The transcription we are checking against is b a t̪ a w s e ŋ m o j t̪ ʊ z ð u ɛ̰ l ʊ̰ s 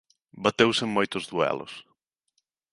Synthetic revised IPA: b a t̪ e w s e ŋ m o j t̪ ʊ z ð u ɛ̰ l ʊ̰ s